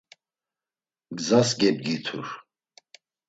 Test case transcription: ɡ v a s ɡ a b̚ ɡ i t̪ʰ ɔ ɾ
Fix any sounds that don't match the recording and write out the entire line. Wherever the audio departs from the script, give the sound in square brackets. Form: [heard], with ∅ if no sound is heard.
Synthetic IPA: ɡ [z] a s ɡ [ɛ] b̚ ɡ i t̪ʰ [u] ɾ